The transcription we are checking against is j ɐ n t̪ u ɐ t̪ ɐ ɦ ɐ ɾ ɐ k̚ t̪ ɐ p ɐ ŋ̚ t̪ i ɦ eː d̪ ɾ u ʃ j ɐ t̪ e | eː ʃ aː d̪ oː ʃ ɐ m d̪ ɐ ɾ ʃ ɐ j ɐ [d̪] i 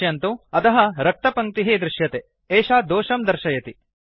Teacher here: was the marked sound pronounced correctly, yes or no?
no